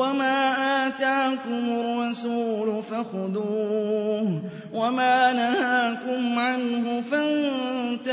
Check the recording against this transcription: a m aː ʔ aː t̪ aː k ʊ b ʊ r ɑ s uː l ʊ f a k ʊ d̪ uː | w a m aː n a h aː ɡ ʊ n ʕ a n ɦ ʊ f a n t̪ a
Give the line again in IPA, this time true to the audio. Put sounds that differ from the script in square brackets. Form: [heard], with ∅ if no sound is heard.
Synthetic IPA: a m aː ʔ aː t̪ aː k ʊ [m] ʊ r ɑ s uː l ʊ f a [x] ʊ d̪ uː | w a m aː n a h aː [k] ʊ [m] ʕ a n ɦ ʊ f a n t̪ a